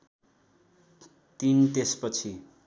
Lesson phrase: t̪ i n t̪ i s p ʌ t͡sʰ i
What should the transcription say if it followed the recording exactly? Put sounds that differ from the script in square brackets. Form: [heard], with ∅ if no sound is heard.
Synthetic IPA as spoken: t̪ i n t̪ [e] s p ʌ t͡sʰ i